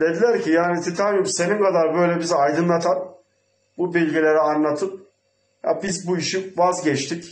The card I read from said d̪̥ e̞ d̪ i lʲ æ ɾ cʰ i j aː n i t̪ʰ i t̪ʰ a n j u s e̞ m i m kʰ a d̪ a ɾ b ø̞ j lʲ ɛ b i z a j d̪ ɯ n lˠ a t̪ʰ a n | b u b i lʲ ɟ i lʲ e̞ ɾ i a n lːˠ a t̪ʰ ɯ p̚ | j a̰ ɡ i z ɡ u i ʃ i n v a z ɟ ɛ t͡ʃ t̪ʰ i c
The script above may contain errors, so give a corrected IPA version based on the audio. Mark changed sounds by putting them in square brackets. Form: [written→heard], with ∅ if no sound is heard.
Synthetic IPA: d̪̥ e̞ d̪ i lʲ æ ɾ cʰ i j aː n i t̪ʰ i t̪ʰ a n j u s e̞ [m→n] i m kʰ a d̪ a ɾ b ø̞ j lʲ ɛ b i z a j d̪ ɯ n lˠ a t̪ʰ a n | b u b i lʲ ɟ i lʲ e̞ ɾ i a n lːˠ a t̪ʰ ɯ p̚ | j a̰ [ɡ→b] i z [ɡ→b] u i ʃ i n v a z ɟ ɛ t͡ʃ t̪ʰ i c